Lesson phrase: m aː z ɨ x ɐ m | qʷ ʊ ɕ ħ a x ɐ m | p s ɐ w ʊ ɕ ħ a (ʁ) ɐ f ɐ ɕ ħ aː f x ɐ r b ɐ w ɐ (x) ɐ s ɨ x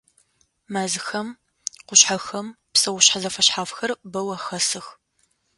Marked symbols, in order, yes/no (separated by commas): no, yes